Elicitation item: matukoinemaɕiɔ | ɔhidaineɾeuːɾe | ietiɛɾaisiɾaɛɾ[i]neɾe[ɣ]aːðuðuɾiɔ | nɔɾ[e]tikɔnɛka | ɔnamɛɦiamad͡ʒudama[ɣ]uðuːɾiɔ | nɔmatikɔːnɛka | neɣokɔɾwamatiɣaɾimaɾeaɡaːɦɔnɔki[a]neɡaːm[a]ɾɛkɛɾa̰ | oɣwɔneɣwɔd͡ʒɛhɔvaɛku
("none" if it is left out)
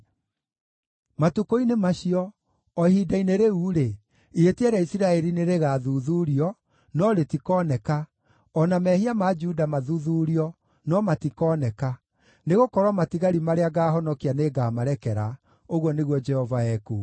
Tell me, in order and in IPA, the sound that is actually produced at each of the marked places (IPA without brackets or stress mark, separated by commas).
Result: i, ɣ, e, ð, a, a